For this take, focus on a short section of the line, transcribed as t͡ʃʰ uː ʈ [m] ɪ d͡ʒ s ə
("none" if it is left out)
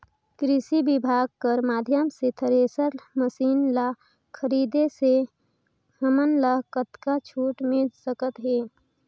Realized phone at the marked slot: m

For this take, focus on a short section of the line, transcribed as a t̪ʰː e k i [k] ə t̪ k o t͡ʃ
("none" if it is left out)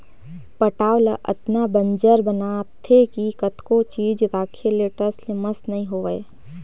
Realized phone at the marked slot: k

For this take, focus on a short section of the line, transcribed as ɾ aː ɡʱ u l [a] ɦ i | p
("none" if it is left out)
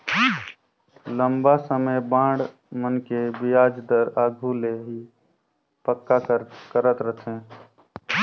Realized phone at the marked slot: e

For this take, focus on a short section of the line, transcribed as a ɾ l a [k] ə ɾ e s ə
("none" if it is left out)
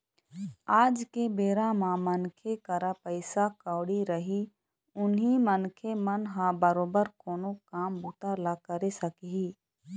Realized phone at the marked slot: k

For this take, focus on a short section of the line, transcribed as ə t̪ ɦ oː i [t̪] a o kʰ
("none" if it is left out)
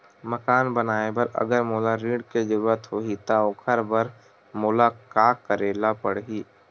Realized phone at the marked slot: t̪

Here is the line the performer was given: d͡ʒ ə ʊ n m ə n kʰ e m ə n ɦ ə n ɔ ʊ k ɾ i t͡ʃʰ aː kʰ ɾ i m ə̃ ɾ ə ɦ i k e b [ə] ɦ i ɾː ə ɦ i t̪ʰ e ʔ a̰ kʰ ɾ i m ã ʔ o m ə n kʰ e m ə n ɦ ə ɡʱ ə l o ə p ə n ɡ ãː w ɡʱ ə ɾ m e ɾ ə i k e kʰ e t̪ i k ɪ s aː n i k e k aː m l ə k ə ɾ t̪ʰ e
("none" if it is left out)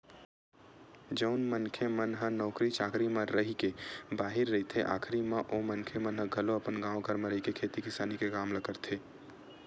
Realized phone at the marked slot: a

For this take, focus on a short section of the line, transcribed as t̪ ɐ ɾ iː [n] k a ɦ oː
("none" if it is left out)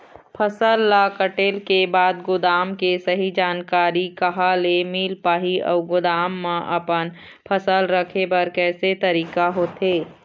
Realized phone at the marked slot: none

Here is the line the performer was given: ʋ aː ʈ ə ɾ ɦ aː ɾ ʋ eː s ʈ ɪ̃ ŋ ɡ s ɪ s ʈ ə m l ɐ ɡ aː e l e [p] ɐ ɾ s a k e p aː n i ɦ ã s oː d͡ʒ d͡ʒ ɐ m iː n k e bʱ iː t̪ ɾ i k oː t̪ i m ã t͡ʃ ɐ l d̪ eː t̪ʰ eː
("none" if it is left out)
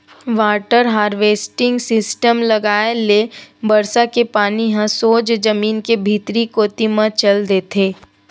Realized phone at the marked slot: b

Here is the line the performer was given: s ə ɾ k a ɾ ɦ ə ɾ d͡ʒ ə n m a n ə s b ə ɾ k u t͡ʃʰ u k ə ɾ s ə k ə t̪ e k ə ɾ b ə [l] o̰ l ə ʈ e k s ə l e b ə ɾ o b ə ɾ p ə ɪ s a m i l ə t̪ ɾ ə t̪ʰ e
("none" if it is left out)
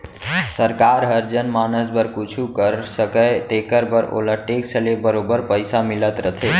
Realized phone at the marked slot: ɾ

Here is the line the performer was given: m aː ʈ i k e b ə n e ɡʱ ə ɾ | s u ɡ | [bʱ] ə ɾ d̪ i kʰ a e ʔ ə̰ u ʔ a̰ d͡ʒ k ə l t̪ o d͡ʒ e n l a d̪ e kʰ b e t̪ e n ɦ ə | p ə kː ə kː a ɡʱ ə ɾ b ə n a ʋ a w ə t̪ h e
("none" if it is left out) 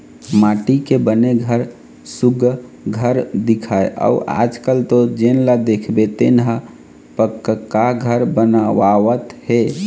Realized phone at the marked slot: ɡʱ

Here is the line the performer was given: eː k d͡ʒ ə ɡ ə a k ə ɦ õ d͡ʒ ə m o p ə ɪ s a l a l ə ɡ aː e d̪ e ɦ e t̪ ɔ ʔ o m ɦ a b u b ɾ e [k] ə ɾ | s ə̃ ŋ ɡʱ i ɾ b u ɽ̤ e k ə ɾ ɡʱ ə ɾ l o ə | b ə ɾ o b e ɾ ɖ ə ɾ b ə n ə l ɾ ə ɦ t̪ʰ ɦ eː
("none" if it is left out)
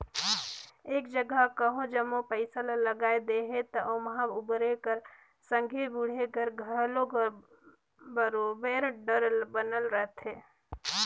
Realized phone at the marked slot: k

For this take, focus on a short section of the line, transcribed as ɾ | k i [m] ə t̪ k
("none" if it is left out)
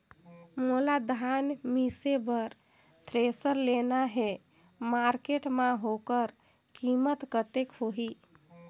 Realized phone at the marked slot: m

